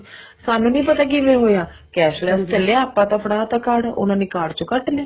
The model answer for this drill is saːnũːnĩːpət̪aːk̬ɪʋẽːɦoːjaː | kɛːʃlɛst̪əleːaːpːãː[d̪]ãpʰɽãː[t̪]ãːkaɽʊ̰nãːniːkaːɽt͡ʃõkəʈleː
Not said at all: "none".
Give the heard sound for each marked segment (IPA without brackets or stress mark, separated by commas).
t̪, t̪